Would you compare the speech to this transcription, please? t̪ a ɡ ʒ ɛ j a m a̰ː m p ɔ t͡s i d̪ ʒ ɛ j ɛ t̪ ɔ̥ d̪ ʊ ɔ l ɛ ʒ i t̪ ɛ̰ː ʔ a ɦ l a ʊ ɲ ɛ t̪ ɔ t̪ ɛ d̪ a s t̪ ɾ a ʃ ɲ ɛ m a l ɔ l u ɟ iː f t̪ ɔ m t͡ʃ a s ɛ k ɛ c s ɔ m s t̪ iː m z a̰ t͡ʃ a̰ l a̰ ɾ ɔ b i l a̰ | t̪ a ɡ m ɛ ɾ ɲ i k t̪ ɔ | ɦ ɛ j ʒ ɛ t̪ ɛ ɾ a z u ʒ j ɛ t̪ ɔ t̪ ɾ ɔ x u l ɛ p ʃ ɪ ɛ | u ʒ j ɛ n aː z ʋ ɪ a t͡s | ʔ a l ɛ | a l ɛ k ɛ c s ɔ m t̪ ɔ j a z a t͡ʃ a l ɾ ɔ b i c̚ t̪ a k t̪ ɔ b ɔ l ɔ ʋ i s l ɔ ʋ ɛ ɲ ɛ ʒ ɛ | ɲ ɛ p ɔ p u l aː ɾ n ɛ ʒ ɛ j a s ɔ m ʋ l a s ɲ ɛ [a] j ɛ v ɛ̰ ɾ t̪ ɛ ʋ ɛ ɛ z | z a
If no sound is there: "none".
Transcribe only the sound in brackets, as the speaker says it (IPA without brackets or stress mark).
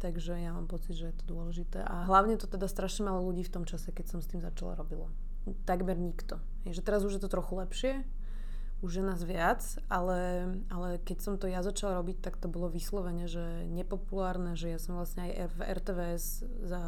a